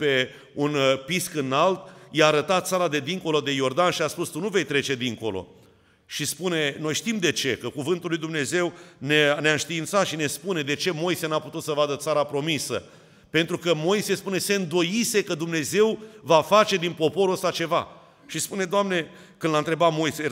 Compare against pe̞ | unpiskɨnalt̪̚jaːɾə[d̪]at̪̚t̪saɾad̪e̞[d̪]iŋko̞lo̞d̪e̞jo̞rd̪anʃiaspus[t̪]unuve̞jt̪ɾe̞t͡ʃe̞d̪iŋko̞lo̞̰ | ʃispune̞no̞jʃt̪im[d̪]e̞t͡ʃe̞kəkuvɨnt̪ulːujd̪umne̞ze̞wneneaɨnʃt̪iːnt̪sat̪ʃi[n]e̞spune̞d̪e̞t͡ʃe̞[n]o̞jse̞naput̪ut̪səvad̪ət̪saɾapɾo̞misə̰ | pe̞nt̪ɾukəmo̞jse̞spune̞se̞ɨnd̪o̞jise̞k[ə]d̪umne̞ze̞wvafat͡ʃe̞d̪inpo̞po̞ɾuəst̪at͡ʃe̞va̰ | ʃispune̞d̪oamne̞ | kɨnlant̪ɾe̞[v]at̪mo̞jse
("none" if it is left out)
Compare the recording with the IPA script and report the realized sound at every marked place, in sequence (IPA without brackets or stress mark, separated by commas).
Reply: t̪, d̪, t̪, d̪, n, m, ə, b